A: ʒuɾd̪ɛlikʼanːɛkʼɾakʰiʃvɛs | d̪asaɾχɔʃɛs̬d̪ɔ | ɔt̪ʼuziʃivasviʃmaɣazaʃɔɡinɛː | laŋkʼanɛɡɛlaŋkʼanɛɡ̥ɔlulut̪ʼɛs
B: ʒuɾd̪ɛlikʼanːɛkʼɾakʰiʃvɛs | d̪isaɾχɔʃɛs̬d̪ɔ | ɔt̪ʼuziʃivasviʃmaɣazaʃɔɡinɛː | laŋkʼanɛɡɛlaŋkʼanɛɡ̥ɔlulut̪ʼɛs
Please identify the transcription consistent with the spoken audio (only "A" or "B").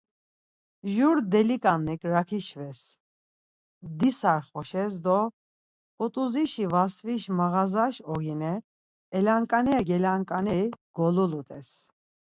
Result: B